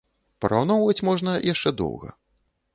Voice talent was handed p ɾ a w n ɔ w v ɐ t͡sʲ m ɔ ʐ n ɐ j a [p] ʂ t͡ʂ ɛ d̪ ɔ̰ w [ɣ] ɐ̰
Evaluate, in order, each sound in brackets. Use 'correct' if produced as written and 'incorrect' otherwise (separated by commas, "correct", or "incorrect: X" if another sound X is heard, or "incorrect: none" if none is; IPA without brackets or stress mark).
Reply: incorrect: none, correct